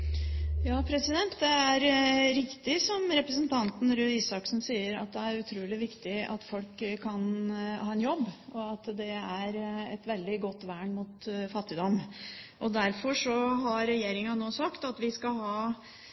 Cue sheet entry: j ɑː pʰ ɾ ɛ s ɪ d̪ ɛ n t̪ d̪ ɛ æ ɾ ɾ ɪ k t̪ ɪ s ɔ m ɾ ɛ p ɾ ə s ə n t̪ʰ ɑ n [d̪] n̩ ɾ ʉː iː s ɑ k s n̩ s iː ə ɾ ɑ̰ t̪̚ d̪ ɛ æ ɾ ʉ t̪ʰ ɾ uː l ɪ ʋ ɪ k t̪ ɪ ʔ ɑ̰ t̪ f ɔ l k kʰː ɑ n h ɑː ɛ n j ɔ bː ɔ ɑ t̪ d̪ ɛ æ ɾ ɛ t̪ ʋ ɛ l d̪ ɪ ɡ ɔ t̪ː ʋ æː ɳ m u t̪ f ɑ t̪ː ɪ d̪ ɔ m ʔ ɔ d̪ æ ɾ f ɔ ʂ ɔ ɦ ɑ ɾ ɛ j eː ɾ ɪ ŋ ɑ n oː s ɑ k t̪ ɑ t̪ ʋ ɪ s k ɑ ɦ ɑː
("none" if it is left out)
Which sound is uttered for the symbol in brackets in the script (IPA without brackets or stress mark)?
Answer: t̪